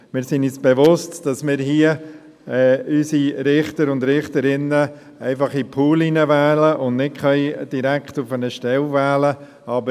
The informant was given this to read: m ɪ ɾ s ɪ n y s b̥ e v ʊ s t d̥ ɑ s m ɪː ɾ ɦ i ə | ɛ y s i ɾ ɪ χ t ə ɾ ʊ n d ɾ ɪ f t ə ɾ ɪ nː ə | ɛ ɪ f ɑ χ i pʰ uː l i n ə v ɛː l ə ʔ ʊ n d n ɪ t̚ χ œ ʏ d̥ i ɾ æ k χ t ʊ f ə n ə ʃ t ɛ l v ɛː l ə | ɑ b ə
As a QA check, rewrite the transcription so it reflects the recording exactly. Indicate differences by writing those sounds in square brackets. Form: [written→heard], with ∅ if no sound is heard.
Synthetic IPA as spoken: m ɪ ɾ s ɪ n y s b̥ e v ʊ s t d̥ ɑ s m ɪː ɾ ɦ i ə | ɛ y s i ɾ ɪ χ t ə ɾ ʊ n d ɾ ɪ [f→χ] t ə ɾ ɪ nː ə | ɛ ɪ f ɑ χ i pʰ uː l i n ə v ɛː l ə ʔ ʊ n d n ɪ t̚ χ œ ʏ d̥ i ɾ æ k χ t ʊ f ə n ə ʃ t ɛ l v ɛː l ə | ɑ b ə